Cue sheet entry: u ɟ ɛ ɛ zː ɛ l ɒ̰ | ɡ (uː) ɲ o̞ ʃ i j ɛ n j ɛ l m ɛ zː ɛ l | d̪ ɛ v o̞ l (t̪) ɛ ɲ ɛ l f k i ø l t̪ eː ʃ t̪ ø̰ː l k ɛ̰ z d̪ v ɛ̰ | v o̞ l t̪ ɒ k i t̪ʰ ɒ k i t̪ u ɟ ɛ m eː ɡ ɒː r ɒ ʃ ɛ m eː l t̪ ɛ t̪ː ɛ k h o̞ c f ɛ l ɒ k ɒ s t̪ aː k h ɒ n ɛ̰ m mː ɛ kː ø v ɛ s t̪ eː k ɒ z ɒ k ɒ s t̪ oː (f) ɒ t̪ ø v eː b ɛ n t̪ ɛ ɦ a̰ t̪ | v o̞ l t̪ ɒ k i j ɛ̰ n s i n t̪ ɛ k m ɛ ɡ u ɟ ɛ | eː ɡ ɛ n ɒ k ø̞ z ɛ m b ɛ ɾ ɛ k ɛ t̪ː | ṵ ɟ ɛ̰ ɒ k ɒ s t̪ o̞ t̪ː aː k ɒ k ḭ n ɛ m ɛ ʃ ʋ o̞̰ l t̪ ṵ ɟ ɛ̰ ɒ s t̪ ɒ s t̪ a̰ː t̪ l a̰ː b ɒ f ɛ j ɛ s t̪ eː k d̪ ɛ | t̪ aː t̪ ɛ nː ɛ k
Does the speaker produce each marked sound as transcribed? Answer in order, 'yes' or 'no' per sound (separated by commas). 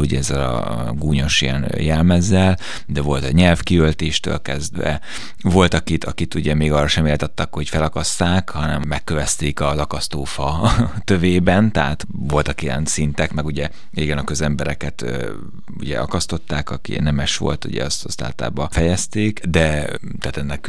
yes, yes, yes